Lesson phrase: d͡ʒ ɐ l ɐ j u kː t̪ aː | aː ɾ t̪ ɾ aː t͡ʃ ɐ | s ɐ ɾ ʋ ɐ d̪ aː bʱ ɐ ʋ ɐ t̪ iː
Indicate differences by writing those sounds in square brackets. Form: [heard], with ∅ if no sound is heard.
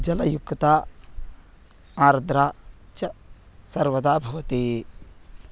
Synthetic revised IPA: d͡ʒ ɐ l ɐ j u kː t̪ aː | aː ɾ [d̪] ɾ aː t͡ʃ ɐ | s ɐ ɾ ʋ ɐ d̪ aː bʱ ɐ ʋ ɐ t̪ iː